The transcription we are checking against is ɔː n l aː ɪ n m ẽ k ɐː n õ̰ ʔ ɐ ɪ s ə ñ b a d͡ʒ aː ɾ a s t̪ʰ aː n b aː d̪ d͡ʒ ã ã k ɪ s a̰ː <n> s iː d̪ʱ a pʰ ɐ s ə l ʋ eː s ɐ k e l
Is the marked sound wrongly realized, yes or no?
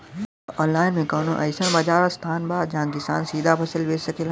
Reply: no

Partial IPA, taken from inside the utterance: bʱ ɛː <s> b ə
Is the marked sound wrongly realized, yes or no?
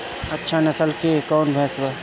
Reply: no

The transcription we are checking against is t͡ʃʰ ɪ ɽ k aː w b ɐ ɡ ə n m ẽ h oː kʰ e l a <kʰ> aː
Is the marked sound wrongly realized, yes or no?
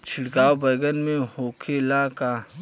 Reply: yes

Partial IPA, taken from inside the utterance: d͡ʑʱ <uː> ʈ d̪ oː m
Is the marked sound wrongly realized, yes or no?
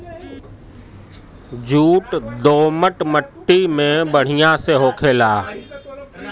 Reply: no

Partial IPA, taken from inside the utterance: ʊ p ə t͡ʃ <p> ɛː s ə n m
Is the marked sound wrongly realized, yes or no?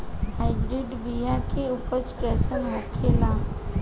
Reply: yes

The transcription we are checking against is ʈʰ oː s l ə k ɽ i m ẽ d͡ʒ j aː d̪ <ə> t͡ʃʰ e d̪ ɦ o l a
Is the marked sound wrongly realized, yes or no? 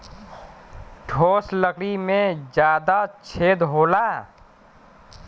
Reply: yes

